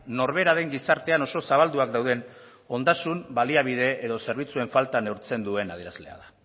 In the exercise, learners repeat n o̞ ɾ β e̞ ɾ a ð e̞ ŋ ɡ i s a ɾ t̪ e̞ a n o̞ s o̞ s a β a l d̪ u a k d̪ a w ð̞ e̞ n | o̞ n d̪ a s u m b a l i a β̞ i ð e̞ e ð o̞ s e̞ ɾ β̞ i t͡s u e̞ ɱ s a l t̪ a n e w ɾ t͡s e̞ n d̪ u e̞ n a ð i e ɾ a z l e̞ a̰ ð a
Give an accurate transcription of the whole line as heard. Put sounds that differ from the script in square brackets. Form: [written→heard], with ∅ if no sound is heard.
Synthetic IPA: n o̞ ɾ β e̞ ɾ a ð e̞ ŋ ɡ i s a ɾ t̪ e̞ a n o̞ s o̞ s a β a l d̪ u a k d̪ a w ð̞ e̞ n | o̞ n d̪ a s u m b a l i a β̞ i ð e̞ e ð o̞ s e̞ ɾ β̞ i t͡s u e̞ ɱ [s→f] a l t̪ a n e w ɾ t͡s e̞ n d̪ u e̞ n a ð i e ɾ a z l e̞ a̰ ð a